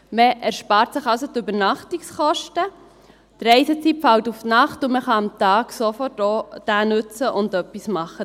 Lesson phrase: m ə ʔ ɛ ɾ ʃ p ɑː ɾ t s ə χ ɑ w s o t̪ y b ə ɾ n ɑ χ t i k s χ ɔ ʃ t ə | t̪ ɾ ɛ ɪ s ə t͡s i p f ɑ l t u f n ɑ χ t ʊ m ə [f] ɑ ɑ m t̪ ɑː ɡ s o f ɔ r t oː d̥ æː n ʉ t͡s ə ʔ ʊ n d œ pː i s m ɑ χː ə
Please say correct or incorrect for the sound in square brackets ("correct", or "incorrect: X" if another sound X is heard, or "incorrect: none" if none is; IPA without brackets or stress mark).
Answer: incorrect: χ